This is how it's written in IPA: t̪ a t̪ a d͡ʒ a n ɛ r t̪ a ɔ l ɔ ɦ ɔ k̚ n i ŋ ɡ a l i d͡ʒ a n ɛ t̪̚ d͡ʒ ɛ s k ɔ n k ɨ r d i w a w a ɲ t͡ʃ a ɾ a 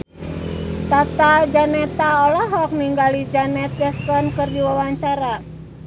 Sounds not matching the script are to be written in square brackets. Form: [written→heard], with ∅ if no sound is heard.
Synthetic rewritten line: t̪ a t̪ a d͡ʒ a n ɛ [r→∅] t̪ a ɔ l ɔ ɦ ɔ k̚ n i ŋ ɡ a l i d͡ʒ a n ɛ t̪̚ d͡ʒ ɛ s k ɔ n k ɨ r d i w a w a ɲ t͡ʃ a ɾ a